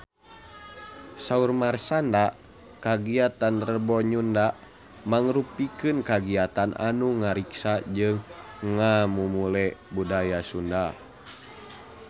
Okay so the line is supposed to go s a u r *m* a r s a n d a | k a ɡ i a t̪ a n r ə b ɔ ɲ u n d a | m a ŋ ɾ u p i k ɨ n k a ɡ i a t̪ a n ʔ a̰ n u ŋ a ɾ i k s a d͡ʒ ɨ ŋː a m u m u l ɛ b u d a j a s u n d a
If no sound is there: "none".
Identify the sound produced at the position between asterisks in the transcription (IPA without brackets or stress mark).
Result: m